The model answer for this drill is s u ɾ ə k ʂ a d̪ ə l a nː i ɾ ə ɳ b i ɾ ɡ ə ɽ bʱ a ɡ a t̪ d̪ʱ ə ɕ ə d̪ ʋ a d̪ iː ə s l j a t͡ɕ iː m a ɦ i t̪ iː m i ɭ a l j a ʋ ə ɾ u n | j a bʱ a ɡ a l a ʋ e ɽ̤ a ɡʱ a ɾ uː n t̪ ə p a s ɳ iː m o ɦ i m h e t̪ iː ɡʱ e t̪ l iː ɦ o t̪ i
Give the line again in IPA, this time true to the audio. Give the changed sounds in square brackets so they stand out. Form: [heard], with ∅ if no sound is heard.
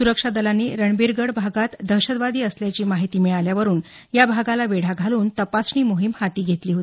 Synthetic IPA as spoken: s u ɾ ə k ʂ a d̪ ə l a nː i ɾ ə ɳ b i ɾ ɡ ə ɽ bʱ a ɡ a t̪ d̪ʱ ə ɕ ə d̪ ʋ a d̪ iː ə s l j a t͡ɕ iː m a ɦ i t̪ iː m i ɭ a l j a ʋ ə ɾ [uː] n | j a bʱ a ɡ a l a ʋ e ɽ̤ a ɡʱ a [l] uː n t̪ ə p a s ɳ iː m o ɦ i m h [a] t̪ iː ɡʱ e t̪ l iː ɦ o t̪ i